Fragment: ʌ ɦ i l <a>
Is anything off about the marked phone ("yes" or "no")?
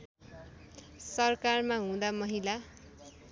no